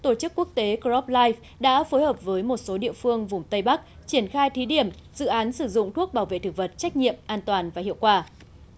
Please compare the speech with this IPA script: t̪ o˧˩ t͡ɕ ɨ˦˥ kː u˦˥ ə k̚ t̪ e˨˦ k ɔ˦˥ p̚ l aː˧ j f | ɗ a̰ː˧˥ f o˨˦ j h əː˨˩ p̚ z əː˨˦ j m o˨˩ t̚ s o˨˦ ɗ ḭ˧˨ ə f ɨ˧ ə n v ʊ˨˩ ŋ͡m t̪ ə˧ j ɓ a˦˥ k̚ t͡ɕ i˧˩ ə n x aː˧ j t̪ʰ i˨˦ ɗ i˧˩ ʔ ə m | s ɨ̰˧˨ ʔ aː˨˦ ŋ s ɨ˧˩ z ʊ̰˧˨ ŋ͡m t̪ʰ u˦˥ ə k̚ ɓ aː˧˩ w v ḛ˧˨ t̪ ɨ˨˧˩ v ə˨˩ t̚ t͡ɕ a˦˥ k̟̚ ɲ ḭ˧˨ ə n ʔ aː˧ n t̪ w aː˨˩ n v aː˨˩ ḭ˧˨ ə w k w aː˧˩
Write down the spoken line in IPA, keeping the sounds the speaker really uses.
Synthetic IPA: t̪ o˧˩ t͡ɕ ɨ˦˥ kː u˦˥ ə k̚ t̪ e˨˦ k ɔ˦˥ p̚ l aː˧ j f | ɗ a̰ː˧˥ f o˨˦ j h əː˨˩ p̚ v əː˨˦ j m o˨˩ t̚ s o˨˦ ɗ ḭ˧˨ ə f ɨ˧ ə ŋ v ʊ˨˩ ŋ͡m t̪ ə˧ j ɓ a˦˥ k̚ t͡ɕ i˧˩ ə n x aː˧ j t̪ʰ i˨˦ ɗ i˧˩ ə m | z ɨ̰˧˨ ʔ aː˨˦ n s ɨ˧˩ z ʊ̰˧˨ ŋ͡m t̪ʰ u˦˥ ə k̚ ɓ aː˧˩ w v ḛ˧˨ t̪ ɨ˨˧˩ v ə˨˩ t̚ t͡ɕ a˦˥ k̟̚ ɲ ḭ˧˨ ə m ʔ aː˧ n t̪ w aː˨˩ n v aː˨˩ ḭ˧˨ ə w k w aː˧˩

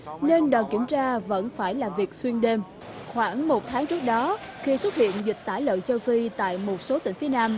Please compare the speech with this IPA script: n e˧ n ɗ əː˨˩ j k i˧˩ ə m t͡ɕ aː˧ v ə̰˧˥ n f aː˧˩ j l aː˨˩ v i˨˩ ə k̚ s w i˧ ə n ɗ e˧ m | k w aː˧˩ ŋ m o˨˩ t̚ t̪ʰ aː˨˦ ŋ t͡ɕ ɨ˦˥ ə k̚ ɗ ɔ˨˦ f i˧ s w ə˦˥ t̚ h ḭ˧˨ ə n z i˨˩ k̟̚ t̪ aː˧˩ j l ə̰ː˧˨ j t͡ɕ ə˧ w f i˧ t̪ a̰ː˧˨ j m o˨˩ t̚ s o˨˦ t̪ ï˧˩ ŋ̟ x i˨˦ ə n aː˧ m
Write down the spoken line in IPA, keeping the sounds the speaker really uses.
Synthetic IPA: n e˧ n ɗ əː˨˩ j k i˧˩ ə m t͡ɕ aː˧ v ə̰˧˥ n f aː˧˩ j l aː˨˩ v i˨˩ ə k̚ s w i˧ ə n ɗ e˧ m | x w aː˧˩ ŋ m o˨˩ t̚ t̪ʰ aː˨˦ ŋ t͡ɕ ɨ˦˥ ə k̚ ɗ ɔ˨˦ x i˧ s w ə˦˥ t̚ h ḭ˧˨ ə n z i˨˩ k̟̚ t̪ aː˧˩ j l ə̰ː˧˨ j t͡ɕ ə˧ w f i˧ t̪ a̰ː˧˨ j m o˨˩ t̚ s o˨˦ t̪ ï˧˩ ŋ̟ f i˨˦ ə n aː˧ m

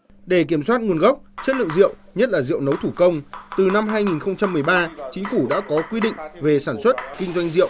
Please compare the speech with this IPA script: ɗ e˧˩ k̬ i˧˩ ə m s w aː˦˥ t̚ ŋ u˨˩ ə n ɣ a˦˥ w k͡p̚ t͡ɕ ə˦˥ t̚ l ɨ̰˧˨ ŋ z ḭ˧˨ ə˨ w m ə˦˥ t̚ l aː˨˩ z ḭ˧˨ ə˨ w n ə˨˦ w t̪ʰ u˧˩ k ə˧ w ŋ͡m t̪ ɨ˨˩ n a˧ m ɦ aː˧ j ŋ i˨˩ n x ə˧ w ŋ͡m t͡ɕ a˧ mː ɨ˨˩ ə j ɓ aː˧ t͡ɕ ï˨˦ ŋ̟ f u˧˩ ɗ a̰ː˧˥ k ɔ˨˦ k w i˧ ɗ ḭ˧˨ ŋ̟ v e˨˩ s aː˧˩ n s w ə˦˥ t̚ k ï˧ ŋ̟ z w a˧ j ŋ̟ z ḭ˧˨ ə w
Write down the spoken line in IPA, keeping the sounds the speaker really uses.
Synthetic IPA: ɗ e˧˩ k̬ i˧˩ ə m s w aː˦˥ t̚ ŋ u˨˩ ə n ɣ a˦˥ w k͡p̚ t͡ɕ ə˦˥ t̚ l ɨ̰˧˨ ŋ z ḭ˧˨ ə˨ w ɲ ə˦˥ t̚ l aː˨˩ z ḭ˧˨ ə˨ w n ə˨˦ w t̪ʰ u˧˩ k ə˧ w ŋ͡m t̪ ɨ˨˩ n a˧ m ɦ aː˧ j ŋ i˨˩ n x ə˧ w ŋ͡m t͡ɕ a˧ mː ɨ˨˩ ə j ɓ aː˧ t͡ɕ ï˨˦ ŋ̟ f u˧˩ ɗ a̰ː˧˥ k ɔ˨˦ k w i˧ ɗ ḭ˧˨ ŋ̟ v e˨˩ s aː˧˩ n s w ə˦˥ t̚ k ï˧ ŋ̟ z w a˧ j ŋ̟ z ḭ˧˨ ə w

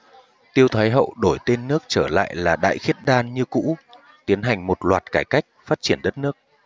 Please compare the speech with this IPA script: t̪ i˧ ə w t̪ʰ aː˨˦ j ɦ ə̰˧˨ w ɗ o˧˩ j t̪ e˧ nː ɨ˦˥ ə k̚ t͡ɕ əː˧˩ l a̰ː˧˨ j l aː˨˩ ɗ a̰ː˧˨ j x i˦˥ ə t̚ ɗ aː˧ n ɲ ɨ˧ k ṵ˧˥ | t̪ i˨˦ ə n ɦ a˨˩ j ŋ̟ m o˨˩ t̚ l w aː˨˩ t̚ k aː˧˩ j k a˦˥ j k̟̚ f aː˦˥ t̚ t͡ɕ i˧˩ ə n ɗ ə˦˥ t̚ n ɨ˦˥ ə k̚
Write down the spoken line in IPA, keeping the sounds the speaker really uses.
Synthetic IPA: t̪ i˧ ə w t̪ʰ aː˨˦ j ɦ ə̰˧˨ w ɗ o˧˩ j t̪ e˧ nː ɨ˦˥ ə k̚ t͡ɕ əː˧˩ l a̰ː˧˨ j l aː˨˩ ɗ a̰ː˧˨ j x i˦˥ ə t̚ ɗ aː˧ n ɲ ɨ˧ k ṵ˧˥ | t̪ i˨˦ ə n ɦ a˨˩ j ŋ̟ m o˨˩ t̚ l w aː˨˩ t̚ k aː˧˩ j k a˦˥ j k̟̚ f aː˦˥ t̚ t͡ɕ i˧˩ ə n ɗ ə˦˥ t̚ n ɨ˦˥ ə k̚

